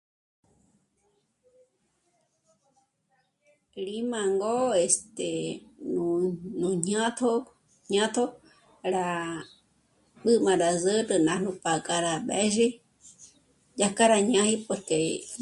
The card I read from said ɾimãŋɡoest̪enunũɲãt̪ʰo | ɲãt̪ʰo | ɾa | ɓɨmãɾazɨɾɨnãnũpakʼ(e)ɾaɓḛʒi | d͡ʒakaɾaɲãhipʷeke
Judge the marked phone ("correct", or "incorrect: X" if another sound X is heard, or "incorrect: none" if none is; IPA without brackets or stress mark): incorrect: a